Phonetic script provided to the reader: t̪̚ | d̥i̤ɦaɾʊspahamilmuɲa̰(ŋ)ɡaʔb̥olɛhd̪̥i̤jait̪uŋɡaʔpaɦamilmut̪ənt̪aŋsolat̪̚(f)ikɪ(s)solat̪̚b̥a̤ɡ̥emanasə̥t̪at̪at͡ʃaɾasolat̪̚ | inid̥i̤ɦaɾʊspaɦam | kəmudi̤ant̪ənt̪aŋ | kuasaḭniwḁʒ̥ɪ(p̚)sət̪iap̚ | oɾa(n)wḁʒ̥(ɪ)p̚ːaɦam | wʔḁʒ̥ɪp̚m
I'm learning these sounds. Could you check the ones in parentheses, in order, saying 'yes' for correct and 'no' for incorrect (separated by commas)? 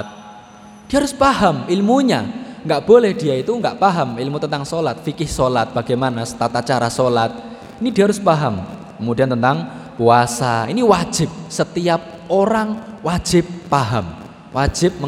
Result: yes, yes, no, yes, no, yes